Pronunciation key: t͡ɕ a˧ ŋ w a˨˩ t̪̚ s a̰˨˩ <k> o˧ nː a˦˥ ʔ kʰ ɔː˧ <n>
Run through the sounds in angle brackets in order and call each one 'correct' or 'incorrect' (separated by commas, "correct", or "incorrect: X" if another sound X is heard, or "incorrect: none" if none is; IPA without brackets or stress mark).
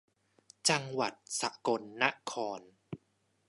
correct, correct